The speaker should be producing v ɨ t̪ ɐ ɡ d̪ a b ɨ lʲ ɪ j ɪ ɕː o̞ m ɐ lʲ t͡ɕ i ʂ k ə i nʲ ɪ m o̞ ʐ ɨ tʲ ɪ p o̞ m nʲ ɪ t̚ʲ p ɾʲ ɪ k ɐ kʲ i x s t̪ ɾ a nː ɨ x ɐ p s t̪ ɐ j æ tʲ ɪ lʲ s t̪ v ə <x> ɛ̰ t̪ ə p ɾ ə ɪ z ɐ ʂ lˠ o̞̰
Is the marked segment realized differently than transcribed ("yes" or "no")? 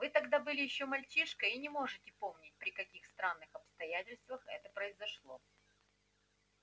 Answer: no